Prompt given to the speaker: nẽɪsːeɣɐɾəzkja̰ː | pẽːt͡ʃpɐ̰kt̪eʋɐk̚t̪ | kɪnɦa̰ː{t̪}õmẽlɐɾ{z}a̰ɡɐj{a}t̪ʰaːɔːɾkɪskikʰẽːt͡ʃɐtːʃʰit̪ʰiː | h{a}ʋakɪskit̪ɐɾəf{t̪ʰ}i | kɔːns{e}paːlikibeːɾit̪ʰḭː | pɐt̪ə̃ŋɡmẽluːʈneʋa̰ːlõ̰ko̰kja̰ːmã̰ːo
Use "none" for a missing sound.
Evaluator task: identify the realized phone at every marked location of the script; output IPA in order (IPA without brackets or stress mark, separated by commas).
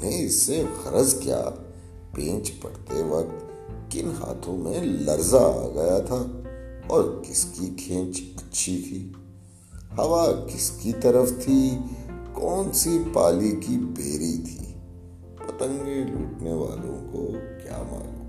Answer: t̪ʰ, z, a, ɐ, t̪ʰ, i